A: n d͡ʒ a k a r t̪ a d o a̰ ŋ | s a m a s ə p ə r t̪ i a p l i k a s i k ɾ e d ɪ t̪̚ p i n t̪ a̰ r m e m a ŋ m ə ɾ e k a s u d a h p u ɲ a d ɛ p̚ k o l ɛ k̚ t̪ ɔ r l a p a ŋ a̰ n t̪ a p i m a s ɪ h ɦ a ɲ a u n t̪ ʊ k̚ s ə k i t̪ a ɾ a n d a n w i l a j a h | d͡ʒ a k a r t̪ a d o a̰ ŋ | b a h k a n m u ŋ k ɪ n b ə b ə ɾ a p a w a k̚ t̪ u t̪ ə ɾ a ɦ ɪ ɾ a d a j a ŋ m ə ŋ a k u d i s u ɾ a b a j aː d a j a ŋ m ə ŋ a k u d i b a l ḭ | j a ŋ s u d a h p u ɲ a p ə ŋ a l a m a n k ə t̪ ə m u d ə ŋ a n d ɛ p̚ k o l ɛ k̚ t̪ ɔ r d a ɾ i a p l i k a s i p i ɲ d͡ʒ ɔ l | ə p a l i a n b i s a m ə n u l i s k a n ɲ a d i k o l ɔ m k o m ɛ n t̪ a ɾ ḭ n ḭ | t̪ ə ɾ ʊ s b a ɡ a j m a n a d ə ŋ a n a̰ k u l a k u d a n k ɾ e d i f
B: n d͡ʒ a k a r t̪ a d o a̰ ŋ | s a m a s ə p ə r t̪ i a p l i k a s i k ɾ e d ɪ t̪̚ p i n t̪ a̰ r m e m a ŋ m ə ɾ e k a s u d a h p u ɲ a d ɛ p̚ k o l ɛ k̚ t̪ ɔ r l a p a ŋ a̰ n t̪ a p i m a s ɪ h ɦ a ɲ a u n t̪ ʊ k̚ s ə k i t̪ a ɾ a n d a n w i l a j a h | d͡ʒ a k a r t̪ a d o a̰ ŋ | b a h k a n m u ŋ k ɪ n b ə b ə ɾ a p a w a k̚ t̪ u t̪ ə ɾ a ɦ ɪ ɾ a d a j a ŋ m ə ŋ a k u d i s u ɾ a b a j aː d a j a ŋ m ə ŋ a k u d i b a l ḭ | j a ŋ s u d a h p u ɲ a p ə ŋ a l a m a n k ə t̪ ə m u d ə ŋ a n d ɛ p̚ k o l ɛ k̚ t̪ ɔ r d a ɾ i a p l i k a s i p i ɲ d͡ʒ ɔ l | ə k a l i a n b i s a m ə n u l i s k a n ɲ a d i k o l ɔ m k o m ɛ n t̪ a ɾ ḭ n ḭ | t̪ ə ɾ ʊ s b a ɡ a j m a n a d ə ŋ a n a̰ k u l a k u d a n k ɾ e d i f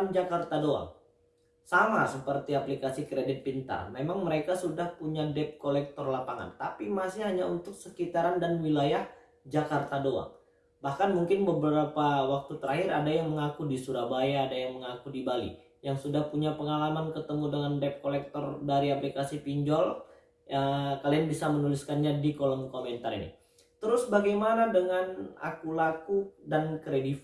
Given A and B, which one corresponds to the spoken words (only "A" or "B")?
B